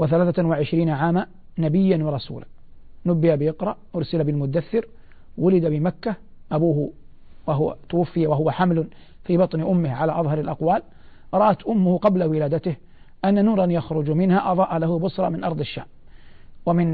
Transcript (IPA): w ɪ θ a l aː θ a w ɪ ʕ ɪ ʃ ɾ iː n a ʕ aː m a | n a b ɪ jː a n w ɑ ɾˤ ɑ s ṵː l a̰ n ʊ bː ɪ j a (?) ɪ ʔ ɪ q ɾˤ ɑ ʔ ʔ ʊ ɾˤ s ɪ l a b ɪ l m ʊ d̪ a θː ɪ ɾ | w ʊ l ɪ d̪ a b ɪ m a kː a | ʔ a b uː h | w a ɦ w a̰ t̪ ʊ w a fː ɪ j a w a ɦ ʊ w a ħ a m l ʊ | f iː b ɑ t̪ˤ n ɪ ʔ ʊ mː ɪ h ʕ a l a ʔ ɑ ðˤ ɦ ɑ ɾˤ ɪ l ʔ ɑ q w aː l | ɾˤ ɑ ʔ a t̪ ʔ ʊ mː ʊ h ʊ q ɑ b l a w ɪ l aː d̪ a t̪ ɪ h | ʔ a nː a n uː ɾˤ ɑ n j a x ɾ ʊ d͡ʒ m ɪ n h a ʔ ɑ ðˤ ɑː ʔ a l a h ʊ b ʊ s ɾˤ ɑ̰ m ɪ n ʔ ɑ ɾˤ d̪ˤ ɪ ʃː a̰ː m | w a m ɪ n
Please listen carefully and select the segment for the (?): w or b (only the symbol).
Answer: b